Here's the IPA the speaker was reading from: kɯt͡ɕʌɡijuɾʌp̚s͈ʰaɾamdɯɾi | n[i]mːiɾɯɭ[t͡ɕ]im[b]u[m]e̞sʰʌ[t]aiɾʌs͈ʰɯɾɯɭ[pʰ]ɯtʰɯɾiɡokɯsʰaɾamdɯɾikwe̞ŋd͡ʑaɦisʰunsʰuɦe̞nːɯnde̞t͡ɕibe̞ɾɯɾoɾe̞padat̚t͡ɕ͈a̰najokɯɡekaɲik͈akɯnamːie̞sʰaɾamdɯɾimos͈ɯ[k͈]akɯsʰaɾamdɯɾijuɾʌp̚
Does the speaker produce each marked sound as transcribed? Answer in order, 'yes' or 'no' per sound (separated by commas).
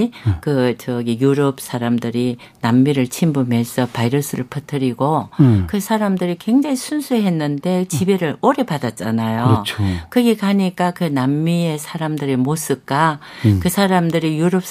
no, no, yes, yes, no, yes, yes